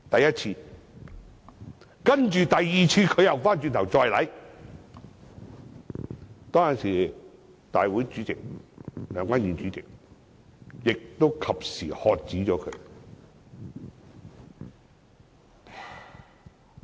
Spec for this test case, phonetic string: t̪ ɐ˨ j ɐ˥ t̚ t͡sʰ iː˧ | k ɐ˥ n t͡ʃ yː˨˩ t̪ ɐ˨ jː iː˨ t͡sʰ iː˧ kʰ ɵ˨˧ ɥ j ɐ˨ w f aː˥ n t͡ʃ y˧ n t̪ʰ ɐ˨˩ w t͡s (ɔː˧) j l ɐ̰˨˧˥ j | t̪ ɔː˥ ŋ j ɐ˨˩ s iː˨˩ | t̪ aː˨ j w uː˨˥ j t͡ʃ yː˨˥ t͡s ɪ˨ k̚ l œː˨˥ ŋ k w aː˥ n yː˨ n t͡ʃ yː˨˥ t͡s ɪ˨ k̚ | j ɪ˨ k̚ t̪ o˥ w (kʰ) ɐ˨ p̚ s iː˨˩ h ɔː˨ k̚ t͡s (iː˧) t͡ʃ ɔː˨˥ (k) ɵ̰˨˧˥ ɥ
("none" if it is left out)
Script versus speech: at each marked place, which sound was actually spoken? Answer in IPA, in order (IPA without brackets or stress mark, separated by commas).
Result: ɔː˧, kʰ, iː˨˥, kʰ